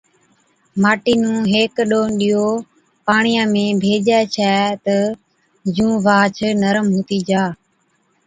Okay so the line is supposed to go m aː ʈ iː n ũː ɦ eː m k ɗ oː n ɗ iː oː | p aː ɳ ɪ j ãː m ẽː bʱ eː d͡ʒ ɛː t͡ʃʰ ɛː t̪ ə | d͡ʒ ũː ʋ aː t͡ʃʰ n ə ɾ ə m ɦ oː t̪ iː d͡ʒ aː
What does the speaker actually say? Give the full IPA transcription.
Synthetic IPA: m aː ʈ iː n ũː ɦ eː k ɗ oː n ɗ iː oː | p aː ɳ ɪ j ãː m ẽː bʱ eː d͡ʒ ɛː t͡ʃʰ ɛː t̪ ə | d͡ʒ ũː ʋ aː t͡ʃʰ n ə ɾ ə m ɦ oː t̪ iː d͡ʒ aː

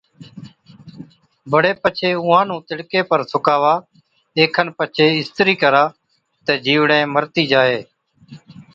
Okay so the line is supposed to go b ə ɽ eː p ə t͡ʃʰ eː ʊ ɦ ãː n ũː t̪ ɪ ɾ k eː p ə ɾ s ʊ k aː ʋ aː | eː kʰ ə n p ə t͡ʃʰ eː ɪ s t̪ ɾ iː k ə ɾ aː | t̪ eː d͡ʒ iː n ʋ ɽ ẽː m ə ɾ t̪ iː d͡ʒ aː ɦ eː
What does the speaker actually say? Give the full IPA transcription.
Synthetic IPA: b ə ɽ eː p ə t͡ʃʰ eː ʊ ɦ ãː n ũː t̪ ɪ ɽ k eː p ə ɾ s ʊ k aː ʋ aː | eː kʰ ə n p ə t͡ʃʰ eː ɪ s t̪ ɾ iː k ə ɾ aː | t̪ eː d͡ʒ iː ʋ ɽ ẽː m ə ɾ t̪ iː d͡ʒ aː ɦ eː

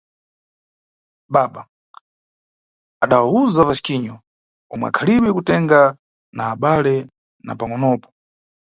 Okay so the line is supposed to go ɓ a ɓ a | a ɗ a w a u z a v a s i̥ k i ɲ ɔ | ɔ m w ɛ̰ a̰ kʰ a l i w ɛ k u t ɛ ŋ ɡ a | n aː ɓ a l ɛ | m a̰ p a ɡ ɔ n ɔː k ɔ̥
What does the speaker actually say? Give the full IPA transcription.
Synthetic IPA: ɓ a ɓ a | a ɗ a w a u z a v a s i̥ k i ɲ ɔ | ɔ m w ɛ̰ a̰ kʰ a l i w ɛ k u t ɛ ŋ ɡ a | n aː ɓ a l ɛ | n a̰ p a ŋ ɔ n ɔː p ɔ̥

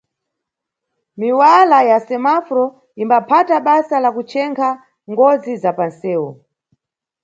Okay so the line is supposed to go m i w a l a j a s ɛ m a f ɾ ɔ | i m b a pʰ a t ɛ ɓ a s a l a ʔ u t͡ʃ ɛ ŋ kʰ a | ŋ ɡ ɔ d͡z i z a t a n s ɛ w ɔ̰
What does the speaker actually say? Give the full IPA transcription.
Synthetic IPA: m i w a l a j a s ɛ m a f ɾ ɔ | i m b a pʰ a t a ɓ a s a l a k u t͡ʃ ɛ ŋ kʰ a | ŋ ɡ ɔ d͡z i z a p a n s ɛː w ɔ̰

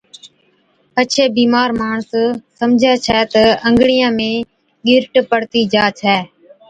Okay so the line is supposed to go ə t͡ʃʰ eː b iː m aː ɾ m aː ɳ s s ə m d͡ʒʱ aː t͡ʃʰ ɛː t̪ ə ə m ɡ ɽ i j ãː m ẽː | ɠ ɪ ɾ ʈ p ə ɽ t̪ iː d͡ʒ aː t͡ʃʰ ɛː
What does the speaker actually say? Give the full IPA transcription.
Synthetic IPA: ə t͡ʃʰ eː b iː m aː ɾ m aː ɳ s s ə m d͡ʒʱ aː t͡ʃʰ ɛː t̪ ə ə ŋ ɡ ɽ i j ãː m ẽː | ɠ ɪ ɾ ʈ p ə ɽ t̪ iː d͡ʒ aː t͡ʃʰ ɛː

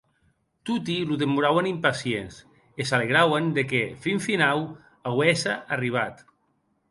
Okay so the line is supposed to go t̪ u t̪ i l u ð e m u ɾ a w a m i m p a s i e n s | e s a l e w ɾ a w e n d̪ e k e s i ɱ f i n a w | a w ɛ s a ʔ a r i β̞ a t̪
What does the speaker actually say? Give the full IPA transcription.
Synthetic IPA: t̪ u t̪ i l u ð e m u ɾ a w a n i m p a s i e n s | e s a l e ɣ ɾ a w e n d̪ e k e f i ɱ f i n a w | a w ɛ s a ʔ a r i β̞ a t̪

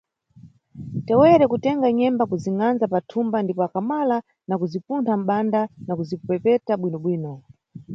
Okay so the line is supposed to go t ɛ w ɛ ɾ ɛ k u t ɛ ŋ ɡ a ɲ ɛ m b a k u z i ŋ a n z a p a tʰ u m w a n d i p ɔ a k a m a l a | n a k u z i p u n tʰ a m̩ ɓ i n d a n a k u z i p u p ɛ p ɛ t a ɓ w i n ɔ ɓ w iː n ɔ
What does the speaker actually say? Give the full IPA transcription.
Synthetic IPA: t ɛ w ɛ ɾ ɛ k u t ɛ ŋ ɡ a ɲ ɛ m b a k u z i ŋ a n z a p a tʰ u m b a n d i p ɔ a k a m a l a | n a k u z i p u n tʰ a m̩ ɓ a n d a n a k u z i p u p ɛ p ɛ t a ɓ w i n ɔ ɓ w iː n ɔ

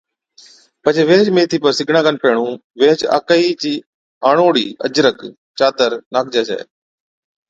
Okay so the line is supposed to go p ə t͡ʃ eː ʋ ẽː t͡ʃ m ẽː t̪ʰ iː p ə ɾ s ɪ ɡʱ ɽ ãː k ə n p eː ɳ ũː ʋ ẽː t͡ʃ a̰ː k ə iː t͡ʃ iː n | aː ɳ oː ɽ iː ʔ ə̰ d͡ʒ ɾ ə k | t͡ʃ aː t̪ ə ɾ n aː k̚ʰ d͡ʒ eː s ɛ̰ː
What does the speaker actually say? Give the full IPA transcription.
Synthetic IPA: p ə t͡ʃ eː ʋ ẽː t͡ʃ m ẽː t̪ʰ iː p ə ɾ s ɪ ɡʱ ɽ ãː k ə n p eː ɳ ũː ʋ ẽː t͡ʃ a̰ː k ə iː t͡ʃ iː | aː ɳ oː ɽ iː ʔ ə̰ d͡ʒ ɾ ə k | t͡ʃ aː t̪ ə ɾ n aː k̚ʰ d͡ʒ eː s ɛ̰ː

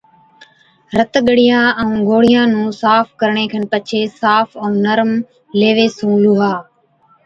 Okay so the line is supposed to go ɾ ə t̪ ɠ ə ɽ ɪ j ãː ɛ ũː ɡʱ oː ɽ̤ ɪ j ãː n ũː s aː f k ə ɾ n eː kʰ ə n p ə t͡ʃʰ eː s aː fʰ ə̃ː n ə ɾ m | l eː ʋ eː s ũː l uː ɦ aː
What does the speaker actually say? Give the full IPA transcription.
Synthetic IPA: ɾ ə t̪ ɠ ə ɽ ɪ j ãː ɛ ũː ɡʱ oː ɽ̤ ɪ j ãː n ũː s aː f k ə ɾ ɳ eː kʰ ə n p ə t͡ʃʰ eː s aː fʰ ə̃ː n ə ɾ m | l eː ʋ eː s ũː l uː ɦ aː

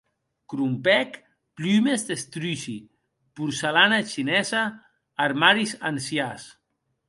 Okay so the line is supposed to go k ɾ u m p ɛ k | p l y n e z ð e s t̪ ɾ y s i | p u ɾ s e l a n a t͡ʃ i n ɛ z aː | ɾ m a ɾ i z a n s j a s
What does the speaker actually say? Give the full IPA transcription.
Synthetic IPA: k ɾ u m p ɛ k | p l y m e z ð e s t̪ ɾ y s i | p u ɾ s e l a n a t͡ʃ i n ɛ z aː | ɾ m a ɾ i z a n s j a s

